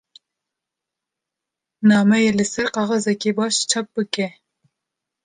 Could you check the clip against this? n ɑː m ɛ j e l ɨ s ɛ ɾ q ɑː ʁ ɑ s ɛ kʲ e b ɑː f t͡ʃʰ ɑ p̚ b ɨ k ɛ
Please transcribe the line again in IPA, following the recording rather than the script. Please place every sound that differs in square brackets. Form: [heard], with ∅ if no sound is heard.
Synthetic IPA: n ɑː m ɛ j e l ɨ s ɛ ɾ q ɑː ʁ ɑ [z] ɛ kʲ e b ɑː [ʃ] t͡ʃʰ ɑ p̚ b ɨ k ɛ